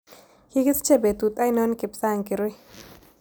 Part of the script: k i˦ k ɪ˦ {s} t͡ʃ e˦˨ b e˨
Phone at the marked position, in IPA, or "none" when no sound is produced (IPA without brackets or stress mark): s